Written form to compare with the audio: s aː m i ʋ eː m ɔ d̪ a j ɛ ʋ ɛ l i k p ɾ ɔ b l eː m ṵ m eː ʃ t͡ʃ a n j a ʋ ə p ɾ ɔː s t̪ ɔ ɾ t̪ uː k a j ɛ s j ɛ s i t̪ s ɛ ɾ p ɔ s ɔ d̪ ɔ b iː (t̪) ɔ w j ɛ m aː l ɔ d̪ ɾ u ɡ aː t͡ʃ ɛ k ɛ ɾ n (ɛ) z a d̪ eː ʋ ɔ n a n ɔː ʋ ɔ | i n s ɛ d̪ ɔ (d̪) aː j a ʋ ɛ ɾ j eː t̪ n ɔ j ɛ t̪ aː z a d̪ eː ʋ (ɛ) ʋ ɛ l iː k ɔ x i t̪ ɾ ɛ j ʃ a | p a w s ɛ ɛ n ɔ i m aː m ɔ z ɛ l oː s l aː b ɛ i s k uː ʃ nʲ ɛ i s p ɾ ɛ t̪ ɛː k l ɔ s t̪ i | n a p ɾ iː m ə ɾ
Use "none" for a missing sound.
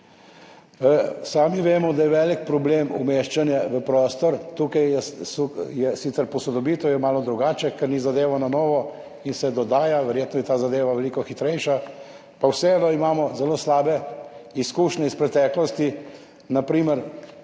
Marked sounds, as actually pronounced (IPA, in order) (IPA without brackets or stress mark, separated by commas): t̪, i, d̪, a